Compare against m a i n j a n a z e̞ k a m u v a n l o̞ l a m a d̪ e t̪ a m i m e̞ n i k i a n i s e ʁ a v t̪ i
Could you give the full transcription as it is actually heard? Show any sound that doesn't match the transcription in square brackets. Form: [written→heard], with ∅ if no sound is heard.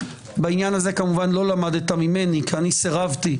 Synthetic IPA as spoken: [m→b] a i n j a n a z e̞ k a m u v a n l o̞ l a m a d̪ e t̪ a m i m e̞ n i k i a n i s e ʁ a v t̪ i